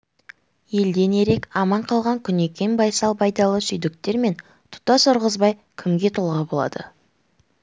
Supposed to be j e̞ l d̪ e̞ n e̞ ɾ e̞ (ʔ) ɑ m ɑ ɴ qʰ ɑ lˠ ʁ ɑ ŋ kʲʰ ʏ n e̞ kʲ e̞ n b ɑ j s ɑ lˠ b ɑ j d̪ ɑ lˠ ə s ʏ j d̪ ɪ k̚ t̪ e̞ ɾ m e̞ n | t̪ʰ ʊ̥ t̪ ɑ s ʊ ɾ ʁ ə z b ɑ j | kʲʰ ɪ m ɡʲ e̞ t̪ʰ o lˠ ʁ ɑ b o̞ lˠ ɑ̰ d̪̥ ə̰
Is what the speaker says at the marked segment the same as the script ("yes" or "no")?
no